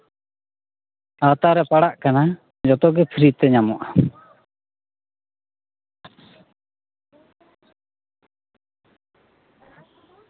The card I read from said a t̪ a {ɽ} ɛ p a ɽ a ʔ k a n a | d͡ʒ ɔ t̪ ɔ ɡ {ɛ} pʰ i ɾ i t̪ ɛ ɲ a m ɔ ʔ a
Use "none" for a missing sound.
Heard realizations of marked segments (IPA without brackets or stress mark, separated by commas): ɾ, ɛ